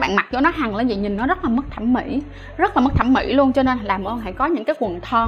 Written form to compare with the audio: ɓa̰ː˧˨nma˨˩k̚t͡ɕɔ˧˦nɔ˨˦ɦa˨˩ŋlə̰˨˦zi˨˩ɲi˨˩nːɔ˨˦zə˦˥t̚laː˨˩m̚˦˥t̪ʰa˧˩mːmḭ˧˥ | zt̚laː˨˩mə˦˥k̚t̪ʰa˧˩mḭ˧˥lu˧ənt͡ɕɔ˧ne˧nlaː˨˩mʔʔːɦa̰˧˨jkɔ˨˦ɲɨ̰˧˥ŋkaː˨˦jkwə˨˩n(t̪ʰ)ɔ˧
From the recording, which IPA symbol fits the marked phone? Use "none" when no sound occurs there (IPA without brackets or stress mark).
t̪ʰ